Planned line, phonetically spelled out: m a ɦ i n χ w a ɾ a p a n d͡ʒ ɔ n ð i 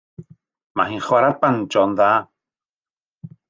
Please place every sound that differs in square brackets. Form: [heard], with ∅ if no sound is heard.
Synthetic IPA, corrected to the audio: m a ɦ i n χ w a ɾ a p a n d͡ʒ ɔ n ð [a]